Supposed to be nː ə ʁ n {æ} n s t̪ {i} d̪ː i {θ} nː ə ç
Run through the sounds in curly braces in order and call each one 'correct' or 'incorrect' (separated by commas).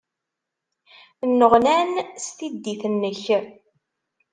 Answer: correct, correct, correct